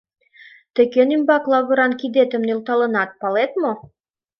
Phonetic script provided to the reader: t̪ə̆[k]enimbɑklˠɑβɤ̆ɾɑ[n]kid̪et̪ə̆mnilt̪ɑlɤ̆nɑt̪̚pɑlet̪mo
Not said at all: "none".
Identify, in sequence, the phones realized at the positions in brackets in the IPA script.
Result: k, n

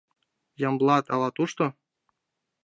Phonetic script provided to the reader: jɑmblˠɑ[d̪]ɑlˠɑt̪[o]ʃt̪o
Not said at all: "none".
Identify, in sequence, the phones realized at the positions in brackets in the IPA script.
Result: t̪, u

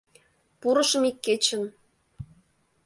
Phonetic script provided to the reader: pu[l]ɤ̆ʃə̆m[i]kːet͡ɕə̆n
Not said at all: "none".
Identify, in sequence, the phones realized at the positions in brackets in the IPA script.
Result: ɾ, i

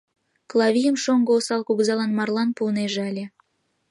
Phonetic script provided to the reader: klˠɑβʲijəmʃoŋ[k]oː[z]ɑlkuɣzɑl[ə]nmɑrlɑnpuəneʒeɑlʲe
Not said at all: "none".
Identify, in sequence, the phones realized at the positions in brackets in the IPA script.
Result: ɡ, s, ɑ

